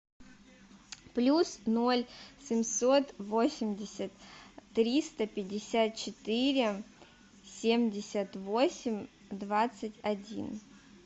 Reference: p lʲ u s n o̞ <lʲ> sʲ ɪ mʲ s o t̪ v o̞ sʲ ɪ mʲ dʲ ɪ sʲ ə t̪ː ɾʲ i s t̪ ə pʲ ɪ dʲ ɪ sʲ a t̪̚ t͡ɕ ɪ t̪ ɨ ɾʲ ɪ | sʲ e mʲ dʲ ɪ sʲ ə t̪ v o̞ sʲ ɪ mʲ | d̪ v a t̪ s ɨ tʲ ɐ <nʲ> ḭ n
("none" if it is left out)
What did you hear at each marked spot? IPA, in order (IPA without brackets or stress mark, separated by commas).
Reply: lʲ, dʲ